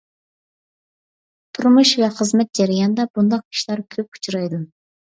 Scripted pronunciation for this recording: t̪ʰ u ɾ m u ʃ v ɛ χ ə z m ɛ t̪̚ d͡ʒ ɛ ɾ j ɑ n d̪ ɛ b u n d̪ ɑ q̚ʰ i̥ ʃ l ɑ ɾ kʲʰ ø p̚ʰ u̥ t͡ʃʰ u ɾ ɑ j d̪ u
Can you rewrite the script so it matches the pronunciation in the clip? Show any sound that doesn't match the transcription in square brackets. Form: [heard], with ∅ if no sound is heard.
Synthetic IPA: t̪ʰ u ɾ m u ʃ v ɛ χ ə z m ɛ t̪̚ d͡ʒ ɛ ɾ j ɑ n d̪ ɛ b u n d̪ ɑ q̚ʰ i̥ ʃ l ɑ ɾ kʲʰ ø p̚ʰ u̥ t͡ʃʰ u ɾ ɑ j d̪ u